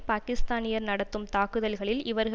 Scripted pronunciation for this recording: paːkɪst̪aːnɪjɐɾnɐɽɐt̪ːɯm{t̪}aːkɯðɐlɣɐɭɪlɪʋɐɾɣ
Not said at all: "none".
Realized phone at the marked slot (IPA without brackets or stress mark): t̪